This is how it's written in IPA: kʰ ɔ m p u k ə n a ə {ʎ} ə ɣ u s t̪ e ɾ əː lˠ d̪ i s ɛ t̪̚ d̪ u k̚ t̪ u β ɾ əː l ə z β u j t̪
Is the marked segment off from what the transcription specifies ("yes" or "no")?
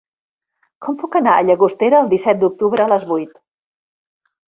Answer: no